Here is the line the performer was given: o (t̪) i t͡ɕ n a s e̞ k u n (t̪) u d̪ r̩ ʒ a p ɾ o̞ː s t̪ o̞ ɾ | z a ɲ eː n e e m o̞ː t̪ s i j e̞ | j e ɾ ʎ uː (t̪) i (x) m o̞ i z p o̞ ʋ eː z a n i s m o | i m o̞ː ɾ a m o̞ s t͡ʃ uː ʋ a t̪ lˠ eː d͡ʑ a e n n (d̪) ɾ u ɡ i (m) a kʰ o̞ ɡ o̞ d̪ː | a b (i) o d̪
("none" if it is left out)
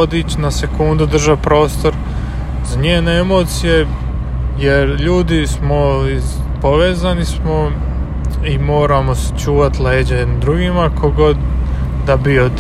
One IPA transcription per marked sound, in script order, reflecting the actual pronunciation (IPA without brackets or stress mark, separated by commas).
d̪, d̪, d̪, s, d̪, m, i